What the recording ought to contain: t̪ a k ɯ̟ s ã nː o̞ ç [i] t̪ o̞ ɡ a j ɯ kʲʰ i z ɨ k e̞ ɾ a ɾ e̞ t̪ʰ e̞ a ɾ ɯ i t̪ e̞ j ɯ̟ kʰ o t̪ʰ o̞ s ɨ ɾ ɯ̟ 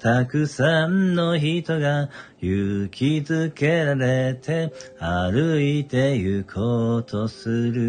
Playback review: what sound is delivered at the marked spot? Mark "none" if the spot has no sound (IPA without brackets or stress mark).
i